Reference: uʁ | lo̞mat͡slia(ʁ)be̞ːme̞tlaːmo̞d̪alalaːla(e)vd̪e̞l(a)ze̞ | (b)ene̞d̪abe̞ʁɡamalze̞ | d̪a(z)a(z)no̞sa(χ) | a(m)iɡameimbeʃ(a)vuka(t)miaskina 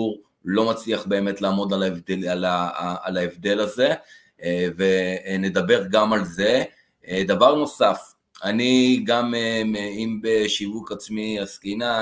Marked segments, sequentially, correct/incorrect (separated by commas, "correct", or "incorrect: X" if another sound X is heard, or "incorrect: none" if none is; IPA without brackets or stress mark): incorrect: χ, correct, correct, incorrect: v, incorrect: v, incorrect: ʁ, incorrect: f, incorrect: n, incorrect: i, incorrect: t͡s